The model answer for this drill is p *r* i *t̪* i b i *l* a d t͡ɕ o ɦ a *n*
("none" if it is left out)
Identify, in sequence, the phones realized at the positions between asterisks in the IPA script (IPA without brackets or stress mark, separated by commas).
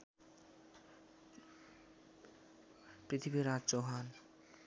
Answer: ɾ, t̪ʰ, ɾ, n